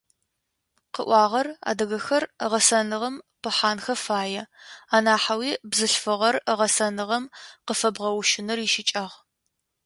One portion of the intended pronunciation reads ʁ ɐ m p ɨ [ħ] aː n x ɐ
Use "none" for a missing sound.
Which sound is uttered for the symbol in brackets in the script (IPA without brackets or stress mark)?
ħ